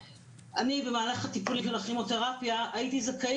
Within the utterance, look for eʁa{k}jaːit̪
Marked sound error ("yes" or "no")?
yes